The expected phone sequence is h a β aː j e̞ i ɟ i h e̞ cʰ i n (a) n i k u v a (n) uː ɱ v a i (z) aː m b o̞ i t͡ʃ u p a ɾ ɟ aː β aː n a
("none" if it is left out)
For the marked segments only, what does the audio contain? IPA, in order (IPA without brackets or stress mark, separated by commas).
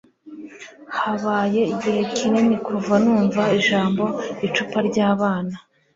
e, n, ʒ